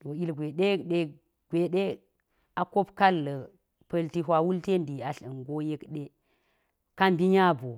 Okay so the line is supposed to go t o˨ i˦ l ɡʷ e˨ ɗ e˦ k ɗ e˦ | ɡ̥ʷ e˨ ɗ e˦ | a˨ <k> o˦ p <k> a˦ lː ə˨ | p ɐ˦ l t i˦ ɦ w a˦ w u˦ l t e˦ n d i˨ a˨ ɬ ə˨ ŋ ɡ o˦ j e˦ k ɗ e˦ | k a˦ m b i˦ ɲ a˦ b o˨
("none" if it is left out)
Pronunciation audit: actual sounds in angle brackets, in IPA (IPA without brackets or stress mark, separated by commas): k, k